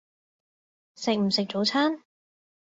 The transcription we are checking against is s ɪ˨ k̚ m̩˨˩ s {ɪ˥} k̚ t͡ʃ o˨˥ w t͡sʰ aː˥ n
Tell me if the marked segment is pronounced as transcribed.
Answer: no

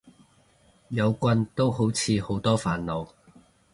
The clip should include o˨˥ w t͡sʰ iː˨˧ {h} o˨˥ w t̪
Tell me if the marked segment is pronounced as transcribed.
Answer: yes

